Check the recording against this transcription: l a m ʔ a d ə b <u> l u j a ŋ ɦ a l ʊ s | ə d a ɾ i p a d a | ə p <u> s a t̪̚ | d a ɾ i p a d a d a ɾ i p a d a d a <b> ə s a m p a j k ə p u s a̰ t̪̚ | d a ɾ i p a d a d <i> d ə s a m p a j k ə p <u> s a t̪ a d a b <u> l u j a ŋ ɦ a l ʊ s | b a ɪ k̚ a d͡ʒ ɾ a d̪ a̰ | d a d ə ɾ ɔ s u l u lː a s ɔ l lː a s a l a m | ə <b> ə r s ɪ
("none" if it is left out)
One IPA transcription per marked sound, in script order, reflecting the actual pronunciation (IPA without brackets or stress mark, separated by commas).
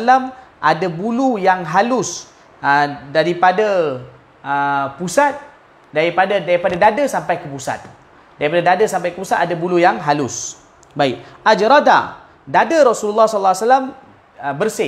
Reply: u, u, d, a, u, u, b